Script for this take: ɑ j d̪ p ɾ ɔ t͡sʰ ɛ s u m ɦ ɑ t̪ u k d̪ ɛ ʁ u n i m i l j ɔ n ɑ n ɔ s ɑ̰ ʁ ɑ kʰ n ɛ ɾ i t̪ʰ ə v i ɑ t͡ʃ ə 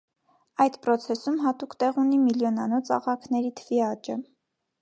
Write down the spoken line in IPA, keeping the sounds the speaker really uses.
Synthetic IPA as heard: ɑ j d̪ p ɾ ɔ t͡sʰ ɛ s u m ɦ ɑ t̪ u k t̪ ɛ ʁ u n i m i l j ɔ n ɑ n ɔ t͡s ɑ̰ ʁ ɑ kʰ n ɛ ɾ i t̪ʰ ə v i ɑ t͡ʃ ə